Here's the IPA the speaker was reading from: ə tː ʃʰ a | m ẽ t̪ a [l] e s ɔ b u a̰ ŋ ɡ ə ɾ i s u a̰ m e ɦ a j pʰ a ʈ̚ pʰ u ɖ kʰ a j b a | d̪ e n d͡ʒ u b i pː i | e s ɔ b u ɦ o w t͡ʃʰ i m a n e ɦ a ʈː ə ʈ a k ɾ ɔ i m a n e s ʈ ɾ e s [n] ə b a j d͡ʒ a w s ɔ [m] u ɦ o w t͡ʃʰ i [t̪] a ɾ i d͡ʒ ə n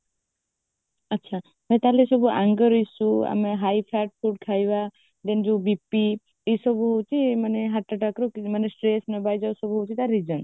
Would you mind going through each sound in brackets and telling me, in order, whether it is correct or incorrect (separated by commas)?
correct, correct, incorrect, correct